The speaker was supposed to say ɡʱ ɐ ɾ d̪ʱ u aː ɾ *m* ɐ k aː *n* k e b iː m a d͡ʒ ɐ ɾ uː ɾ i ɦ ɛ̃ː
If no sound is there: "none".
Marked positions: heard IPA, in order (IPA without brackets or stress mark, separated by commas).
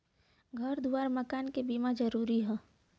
m, n